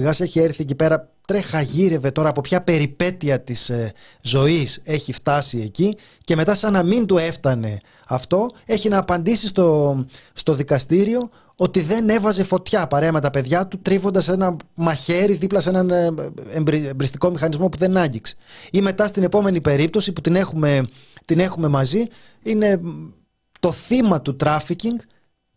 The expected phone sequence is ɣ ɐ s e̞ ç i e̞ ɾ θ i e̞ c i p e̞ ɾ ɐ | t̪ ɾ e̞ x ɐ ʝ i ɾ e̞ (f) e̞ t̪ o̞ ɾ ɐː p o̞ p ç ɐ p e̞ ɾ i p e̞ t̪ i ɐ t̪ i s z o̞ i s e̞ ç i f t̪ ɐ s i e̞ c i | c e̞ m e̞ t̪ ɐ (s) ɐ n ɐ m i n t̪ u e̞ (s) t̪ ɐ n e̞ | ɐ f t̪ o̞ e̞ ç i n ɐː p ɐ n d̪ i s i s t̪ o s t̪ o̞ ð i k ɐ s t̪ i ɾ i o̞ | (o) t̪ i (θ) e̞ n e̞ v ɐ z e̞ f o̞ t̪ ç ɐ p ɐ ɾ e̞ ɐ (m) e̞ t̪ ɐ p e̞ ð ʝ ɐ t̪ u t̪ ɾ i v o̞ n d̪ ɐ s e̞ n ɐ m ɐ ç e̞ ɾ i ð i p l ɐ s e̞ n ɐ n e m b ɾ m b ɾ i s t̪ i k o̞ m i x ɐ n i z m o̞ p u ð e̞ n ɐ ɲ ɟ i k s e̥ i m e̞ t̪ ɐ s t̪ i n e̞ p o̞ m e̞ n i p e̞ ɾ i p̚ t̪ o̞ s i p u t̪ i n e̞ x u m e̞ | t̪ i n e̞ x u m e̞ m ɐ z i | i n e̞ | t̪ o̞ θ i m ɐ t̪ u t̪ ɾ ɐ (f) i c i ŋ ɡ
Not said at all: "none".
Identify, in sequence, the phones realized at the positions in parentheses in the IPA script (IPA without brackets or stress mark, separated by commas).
v, s, f, o, ð, m, f